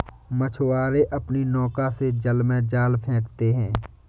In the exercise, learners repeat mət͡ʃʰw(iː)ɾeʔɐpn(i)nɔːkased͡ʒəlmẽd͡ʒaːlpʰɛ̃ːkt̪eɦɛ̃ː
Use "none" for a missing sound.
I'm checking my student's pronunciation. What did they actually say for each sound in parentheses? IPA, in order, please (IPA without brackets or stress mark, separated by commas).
aː, i